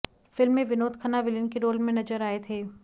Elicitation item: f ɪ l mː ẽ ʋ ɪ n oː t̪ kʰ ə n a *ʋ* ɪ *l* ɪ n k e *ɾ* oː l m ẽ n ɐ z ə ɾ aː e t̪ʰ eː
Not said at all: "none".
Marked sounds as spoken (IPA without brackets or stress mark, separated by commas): ʋ, l, ɾ